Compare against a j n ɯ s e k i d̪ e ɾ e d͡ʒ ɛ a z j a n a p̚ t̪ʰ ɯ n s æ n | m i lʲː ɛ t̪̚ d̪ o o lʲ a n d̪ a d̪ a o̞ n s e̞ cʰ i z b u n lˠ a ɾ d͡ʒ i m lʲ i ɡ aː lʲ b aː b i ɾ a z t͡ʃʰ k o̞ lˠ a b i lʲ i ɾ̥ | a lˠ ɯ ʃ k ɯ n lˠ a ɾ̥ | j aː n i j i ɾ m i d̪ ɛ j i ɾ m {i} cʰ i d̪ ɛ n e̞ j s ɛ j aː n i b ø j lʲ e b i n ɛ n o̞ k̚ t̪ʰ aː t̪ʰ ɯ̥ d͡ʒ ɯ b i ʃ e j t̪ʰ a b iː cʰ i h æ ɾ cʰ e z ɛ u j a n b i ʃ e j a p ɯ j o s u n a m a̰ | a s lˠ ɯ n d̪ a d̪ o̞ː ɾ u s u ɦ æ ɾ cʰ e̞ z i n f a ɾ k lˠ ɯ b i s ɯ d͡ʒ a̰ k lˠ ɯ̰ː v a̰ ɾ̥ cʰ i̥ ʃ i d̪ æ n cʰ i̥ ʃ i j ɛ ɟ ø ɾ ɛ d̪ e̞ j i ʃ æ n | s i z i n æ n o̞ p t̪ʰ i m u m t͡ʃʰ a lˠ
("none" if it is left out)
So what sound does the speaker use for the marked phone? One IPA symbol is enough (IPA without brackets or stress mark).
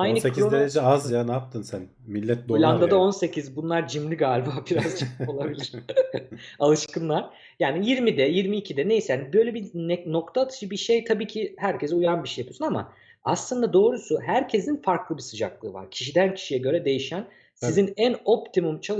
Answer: iː